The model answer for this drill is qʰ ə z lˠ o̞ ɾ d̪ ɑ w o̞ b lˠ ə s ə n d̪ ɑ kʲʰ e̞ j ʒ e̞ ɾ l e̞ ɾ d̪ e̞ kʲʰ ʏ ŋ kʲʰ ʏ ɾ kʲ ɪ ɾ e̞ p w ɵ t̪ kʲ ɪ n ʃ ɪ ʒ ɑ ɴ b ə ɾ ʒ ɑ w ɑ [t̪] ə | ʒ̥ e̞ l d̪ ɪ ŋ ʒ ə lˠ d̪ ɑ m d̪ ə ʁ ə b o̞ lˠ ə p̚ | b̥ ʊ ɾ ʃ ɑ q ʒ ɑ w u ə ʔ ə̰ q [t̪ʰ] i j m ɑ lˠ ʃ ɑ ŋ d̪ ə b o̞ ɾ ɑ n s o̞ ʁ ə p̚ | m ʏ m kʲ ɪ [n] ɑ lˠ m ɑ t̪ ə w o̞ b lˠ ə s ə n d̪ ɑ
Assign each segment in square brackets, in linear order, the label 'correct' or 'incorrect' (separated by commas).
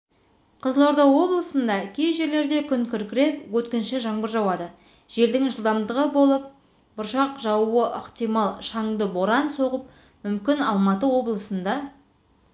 incorrect, incorrect, correct